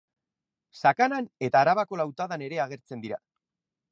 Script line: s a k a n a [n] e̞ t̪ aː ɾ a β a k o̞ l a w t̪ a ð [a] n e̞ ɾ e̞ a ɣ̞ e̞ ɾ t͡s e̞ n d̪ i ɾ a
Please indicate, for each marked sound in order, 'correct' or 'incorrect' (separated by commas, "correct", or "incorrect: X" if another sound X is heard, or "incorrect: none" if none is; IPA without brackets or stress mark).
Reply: correct, correct